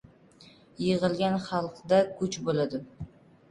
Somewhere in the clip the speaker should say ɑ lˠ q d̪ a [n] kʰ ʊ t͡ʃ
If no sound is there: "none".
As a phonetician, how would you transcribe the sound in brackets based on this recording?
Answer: none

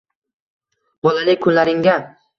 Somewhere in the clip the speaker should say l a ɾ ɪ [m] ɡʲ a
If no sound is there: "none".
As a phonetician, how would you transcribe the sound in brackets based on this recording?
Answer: ŋ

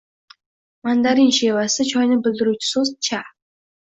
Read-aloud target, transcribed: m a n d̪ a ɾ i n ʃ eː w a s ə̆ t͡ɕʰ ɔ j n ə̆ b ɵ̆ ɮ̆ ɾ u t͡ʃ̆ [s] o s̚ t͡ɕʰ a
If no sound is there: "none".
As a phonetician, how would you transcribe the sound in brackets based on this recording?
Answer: s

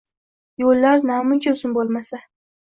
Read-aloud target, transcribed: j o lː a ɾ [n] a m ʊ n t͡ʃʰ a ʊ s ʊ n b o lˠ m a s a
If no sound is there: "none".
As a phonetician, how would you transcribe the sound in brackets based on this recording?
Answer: n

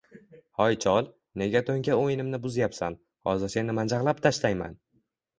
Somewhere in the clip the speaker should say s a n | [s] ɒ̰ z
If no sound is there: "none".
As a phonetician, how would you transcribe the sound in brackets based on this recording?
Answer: h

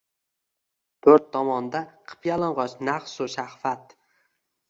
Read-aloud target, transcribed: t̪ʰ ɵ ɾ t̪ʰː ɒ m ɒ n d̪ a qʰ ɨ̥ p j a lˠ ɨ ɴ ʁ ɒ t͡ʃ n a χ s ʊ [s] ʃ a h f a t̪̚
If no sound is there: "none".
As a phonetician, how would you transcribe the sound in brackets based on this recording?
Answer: none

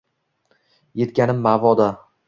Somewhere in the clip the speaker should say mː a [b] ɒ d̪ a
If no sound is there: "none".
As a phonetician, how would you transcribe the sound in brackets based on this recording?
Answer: v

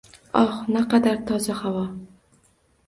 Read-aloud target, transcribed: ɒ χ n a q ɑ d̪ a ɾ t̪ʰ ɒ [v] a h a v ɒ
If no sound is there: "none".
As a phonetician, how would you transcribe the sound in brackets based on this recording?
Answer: z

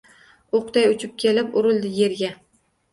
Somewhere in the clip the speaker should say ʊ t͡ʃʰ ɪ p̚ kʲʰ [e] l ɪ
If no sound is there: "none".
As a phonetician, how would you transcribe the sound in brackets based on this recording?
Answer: e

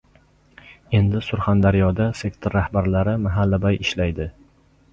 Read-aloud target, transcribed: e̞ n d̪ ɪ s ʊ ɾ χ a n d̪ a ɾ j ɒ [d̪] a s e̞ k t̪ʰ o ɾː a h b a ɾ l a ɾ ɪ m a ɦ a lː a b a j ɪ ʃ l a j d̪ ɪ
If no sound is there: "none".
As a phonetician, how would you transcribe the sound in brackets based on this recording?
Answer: d̪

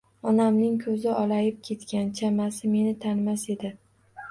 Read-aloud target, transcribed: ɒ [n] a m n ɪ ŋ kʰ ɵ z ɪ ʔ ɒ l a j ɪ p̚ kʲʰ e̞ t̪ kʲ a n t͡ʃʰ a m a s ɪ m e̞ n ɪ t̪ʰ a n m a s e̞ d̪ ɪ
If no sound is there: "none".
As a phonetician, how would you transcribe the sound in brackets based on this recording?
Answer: n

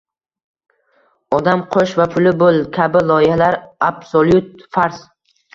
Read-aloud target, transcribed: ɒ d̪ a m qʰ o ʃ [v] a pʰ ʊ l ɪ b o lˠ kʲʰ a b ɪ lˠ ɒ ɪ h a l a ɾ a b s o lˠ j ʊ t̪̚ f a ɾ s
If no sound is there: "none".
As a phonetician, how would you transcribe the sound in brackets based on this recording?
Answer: v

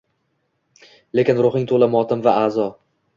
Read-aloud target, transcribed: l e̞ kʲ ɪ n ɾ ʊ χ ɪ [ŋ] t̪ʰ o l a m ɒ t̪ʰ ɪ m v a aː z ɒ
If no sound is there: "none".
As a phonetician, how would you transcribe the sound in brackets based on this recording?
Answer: ŋ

